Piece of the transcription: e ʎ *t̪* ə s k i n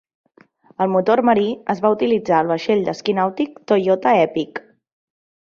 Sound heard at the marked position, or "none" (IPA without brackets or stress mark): d̪